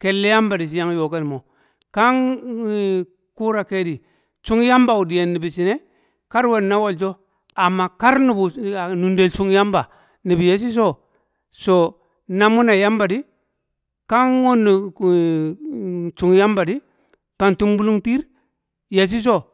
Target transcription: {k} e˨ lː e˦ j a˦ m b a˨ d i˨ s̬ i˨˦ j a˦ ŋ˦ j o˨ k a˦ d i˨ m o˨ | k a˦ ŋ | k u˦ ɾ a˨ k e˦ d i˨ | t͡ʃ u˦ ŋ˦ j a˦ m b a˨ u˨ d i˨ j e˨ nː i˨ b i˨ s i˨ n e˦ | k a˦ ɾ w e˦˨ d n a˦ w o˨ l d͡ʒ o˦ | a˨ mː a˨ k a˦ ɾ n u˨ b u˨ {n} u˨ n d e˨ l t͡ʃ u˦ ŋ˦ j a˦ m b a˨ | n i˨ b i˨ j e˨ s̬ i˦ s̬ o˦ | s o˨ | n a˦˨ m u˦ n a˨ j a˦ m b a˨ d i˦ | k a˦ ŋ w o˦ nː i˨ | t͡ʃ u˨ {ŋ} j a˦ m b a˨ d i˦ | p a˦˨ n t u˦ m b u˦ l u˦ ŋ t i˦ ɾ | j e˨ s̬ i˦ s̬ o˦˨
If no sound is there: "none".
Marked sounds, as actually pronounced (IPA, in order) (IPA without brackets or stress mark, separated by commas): k, n, ŋ